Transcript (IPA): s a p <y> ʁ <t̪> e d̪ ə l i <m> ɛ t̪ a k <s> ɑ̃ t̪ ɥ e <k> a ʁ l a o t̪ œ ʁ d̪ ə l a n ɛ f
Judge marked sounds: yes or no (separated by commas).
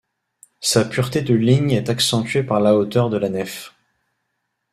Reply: yes, yes, no, yes, no